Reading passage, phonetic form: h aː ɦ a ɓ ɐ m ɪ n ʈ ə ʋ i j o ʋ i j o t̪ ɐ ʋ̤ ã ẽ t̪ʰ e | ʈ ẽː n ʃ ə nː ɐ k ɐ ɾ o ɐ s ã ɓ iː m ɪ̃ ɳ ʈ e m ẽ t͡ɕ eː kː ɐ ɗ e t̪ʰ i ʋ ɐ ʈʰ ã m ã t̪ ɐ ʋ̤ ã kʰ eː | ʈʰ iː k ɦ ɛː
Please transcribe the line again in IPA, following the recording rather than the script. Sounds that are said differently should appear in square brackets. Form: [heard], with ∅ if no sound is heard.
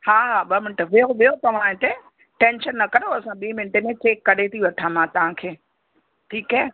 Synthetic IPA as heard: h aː ɦ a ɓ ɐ m ɪ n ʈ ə ʋ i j o ʋ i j o t̪ ɐ ʋ̤ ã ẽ [t̪] e | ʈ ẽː n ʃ ə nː ɐ k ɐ ɾ o ɐ s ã ɓ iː m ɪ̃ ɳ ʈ e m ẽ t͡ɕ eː kː ɐ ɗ e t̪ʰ i ʋ ɐ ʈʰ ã m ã t̪ ɐ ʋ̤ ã kʰ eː | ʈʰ iː k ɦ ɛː